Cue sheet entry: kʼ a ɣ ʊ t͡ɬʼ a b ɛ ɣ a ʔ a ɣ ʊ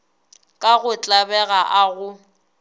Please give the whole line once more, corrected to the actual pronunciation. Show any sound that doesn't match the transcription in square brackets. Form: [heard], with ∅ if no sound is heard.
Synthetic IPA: kʼ a ɣ ʊ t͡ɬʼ a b ɛ ɣ a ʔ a ɣ ʊ

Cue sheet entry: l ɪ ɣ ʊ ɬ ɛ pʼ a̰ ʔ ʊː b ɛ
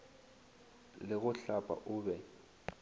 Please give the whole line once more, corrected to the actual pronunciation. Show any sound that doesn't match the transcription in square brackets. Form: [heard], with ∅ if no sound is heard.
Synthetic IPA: l ɪ ɣ ʊ ɬ [a] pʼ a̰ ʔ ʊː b ɛ

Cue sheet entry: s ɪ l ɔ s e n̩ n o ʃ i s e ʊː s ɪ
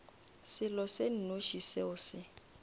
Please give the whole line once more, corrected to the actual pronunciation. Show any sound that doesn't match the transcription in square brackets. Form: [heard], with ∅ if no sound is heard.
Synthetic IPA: s ɪ l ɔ s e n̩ n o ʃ i s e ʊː s ɪ

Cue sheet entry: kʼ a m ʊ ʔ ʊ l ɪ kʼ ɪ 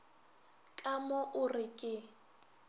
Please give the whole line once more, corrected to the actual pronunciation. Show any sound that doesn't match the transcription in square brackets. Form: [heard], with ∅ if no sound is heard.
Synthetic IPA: kʼ a m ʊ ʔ ʊ [r] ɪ kʼ ɪ

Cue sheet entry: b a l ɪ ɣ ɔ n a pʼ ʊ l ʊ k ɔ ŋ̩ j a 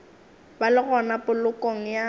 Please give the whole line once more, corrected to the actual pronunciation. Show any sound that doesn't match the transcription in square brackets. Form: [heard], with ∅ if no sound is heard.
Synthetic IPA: b a l ɪ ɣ ɔ n a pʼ ʊ l ʊ k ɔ ŋ̩ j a

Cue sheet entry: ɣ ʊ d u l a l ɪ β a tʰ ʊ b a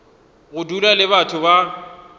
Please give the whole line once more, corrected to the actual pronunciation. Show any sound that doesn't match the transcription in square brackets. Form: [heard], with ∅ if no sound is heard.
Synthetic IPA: ɣ ʊ d u l a l ɪ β a tʰ ʊ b a

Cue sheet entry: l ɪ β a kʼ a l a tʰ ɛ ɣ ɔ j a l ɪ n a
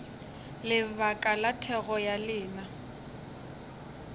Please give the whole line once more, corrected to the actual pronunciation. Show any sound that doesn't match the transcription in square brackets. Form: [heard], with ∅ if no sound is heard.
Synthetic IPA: l ɪ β a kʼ a l a tʰ ɛ ɣ ɔ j a l [ɪː] n a

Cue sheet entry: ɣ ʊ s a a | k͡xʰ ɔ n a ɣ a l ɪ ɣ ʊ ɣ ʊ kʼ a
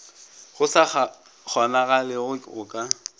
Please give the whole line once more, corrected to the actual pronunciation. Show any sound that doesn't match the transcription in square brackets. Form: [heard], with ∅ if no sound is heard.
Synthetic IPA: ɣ ʊ s a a | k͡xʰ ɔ n a ɣ a l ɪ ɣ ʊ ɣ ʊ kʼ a

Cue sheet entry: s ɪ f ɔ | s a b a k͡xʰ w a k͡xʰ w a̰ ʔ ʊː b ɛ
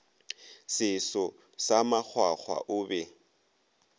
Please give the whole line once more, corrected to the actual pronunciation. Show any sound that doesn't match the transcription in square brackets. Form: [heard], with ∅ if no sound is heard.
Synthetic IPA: s ɪ [s] ɔ | s a [m] a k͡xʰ w a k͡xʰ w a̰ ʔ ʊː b ɛ

